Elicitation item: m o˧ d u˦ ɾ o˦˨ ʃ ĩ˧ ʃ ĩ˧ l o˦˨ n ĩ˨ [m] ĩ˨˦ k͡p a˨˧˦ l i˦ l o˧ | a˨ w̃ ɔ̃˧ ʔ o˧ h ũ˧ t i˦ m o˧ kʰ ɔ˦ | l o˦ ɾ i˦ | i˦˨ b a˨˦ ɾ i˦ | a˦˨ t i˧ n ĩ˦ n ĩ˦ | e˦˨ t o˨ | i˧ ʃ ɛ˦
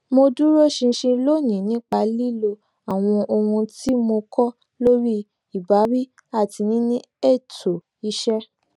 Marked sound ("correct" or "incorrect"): incorrect